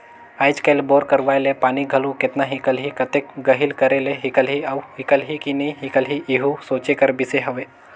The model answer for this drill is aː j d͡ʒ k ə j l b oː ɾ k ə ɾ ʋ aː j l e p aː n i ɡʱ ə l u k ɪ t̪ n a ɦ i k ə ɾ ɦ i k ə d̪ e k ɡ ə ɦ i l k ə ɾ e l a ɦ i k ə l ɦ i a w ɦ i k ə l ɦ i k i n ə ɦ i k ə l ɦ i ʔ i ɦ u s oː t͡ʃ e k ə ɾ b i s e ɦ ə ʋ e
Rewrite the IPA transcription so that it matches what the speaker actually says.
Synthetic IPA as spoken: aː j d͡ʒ k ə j l b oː ɾ k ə ɾ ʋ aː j l e p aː n i ɡʱ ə l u k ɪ t̪ n a ɦ i k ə l ɦ i k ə t̪ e k ɡ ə ɦ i l k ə ɾ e l e ɦ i k ə l ɦ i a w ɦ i k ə l ɦ i k i n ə ɦ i k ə l ɦ i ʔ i ɦ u s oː t͡ʃ e k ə ɾ b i s e ɦ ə ʋ e